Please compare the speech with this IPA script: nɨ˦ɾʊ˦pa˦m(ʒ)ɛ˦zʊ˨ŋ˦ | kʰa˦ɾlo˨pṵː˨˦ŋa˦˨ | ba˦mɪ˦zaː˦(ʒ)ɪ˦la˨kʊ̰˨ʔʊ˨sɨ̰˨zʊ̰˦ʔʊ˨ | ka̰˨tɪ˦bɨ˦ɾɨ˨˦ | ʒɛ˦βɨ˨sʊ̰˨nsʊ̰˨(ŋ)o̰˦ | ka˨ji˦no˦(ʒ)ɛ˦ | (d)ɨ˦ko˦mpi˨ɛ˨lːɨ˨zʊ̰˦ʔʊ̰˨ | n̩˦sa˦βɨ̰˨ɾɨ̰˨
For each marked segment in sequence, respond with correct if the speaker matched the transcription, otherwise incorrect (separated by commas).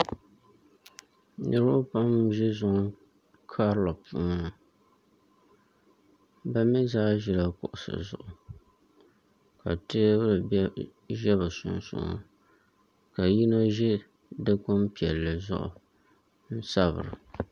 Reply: correct, correct, correct, correct, correct